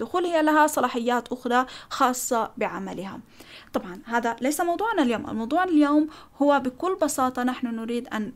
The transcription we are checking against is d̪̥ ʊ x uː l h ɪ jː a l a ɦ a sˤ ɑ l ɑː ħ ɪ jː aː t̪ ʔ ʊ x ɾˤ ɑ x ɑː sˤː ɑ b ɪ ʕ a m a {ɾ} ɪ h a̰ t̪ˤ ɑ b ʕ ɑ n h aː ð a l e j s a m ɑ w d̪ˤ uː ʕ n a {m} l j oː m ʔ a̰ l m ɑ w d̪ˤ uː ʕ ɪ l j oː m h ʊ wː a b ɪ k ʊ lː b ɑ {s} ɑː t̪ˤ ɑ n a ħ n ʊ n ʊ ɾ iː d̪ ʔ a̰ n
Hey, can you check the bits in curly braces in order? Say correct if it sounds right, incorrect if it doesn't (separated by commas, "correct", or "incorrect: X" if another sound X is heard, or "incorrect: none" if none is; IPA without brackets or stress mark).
incorrect: l, incorrect: none, correct